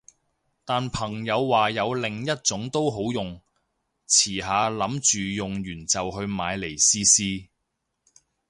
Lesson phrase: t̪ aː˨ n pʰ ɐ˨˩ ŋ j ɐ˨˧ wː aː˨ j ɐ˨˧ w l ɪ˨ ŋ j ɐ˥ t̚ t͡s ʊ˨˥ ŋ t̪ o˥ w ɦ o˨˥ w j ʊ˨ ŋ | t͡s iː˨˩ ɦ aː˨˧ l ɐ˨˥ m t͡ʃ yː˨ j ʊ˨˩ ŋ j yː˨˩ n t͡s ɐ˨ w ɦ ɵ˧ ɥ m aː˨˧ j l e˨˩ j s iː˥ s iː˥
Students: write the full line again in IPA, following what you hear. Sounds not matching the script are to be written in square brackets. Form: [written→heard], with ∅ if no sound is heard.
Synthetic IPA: t̪ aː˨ n pʰ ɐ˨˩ ŋ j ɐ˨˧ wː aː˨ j ɐ˨˧ w l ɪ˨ ŋ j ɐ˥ t̚ t͡s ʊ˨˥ ŋ t̪ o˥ w ɦ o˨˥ w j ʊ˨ ŋ | [t͡s→t͡sʰ] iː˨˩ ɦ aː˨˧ l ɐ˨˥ m t͡ʃ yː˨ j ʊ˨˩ ŋ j yː˨˩ n t͡s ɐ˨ w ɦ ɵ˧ ɥ m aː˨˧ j l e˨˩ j s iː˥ s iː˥